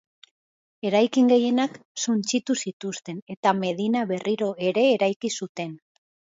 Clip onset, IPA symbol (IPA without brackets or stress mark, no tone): e̞